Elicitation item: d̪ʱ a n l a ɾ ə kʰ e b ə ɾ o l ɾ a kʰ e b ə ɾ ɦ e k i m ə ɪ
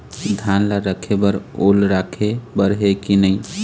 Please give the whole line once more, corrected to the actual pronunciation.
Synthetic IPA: d̪ʱ a n l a ɾ ə kʰ e b ə ɾ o l ɾ a kʰ e b ə ɾ ɦ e k i n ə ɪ